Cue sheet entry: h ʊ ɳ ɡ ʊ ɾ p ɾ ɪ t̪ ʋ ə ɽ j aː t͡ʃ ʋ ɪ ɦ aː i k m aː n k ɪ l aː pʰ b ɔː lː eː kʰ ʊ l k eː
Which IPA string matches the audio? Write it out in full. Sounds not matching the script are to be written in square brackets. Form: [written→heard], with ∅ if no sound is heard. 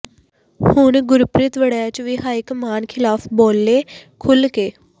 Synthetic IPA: h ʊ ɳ ɡ ʊ ɾ p ɾ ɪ t̪ ʋ ə ɽ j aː t͡ʃ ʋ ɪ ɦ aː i k m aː n [k→kʰ] ɪ l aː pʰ b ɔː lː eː kʰ ʊ l k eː